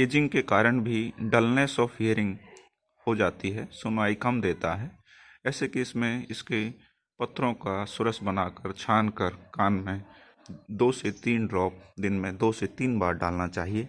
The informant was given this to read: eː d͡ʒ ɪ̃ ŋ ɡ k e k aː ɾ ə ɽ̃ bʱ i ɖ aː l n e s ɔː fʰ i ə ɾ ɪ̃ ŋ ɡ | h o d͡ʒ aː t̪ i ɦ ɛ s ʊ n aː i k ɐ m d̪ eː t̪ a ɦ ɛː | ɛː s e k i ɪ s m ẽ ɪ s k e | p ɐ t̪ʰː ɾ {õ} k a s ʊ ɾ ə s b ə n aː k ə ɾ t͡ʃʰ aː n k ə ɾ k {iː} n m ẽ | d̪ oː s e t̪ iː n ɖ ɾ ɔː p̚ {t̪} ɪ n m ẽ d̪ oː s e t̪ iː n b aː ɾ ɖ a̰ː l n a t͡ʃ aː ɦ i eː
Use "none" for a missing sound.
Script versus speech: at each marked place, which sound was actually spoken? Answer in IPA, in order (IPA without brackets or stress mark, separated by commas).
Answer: õ, aː, d̪